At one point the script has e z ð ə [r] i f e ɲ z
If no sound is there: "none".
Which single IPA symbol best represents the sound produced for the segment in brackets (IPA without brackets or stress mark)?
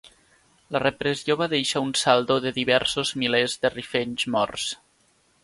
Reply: r